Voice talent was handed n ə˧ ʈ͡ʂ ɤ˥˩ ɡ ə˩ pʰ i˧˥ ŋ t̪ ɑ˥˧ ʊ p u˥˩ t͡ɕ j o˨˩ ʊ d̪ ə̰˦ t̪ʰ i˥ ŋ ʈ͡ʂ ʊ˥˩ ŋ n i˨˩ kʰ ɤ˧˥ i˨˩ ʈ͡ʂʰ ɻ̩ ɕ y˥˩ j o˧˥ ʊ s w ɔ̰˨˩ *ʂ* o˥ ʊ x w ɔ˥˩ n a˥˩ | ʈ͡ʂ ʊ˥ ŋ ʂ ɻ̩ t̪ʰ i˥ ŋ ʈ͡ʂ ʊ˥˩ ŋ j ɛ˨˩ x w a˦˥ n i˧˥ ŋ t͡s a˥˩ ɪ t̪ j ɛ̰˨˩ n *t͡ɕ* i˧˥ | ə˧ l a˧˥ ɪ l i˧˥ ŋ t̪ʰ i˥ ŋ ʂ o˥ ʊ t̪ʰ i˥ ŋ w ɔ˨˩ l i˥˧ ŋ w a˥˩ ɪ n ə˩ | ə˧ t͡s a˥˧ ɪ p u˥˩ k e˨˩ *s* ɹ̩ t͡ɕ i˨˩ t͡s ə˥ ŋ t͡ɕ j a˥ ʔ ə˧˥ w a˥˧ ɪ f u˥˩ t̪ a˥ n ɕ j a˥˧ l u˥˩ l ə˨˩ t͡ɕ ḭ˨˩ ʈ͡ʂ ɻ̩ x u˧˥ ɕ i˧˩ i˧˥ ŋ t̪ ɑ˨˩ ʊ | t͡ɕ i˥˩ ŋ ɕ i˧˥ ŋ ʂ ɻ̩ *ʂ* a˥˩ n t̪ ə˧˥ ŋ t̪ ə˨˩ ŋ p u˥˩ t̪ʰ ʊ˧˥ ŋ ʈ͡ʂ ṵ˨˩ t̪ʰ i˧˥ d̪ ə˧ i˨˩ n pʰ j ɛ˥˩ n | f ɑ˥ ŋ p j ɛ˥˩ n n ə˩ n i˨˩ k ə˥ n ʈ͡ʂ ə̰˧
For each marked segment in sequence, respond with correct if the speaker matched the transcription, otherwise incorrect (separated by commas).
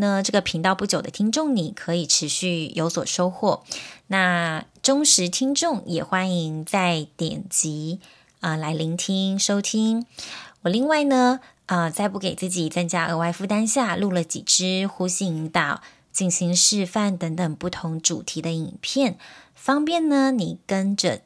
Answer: correct, correct, incorrect, incorrect